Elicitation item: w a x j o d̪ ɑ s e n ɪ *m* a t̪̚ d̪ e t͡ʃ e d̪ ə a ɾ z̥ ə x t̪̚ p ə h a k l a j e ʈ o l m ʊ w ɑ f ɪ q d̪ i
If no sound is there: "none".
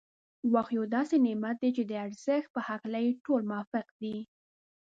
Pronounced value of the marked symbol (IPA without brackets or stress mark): m